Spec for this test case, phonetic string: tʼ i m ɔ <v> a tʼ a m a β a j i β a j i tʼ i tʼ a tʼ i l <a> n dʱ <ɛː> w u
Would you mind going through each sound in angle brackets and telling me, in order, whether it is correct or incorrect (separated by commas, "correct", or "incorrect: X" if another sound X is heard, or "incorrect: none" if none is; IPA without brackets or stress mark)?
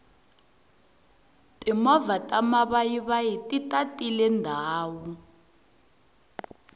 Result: correct, incorrect: ɛ, incorrect: aː